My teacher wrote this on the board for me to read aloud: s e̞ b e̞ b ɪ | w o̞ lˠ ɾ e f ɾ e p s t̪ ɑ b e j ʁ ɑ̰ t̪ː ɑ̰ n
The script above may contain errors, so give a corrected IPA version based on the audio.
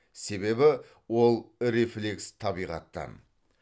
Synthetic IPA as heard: s e̞ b e̞ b ɪ | w o̞ lˠ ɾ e f l e k s t̪ʰ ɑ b i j ʁ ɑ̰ t̪ː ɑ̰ n